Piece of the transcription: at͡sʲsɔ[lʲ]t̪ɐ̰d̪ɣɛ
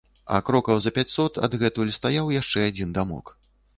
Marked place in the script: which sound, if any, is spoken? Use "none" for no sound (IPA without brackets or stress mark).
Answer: none